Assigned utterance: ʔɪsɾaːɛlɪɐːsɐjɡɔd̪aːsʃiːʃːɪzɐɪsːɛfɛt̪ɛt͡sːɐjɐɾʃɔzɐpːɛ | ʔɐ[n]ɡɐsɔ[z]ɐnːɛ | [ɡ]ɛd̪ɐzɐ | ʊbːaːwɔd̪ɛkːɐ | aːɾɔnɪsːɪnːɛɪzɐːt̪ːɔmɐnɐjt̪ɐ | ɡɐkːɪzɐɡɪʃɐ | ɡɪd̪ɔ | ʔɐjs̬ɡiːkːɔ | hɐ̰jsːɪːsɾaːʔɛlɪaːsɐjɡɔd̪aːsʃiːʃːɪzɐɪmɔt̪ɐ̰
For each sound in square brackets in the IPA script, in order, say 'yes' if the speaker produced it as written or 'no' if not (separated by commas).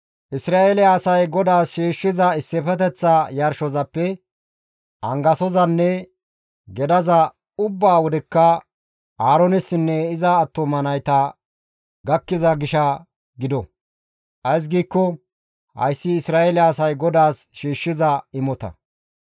no, yes, yes